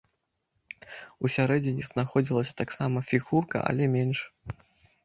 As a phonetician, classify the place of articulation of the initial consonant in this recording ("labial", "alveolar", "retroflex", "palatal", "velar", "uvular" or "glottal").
alveolar